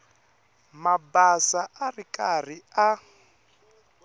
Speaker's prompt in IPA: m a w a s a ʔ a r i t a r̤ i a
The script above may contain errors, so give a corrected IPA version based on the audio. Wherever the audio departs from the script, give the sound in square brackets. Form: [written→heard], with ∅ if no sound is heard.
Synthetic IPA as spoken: m a [w→b] a s a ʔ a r i [t→k] a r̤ i a